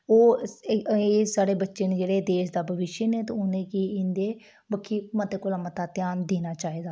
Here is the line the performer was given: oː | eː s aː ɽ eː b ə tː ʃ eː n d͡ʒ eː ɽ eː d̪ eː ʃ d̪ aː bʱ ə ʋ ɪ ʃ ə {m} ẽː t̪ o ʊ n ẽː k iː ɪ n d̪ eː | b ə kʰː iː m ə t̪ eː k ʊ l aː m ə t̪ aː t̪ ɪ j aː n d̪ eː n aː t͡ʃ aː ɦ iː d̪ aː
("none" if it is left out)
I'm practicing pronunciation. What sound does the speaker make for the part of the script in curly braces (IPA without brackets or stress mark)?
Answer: n